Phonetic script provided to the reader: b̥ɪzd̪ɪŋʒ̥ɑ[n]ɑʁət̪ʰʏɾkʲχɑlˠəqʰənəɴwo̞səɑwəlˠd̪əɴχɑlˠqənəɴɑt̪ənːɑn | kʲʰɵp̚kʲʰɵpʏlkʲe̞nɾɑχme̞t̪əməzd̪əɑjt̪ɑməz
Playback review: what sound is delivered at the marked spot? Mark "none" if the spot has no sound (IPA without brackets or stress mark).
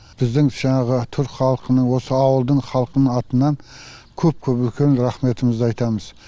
ɴ